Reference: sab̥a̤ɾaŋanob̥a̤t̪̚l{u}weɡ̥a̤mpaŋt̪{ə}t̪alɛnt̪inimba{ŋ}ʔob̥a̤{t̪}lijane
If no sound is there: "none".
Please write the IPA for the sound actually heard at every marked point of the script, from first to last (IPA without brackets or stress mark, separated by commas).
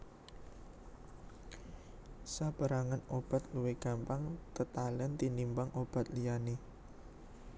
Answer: u, ə, ŋ, t̪